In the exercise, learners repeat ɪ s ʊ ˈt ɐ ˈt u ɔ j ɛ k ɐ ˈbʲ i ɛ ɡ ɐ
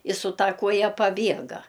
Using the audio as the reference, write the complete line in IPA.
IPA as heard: ɪ s ʊ ˈt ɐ ˈk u ɔ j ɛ p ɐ ˈbʲ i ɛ ɡ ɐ